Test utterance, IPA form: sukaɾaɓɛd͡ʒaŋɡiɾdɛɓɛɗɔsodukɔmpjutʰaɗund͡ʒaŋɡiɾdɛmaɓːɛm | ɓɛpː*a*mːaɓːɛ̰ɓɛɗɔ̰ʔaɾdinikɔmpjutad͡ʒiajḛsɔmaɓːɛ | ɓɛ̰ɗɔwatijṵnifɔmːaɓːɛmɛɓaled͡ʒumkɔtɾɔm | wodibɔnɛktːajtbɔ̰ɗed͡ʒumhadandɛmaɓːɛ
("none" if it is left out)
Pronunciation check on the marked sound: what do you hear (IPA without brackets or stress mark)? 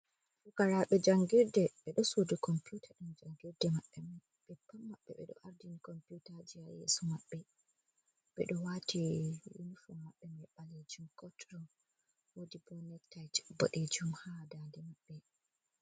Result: a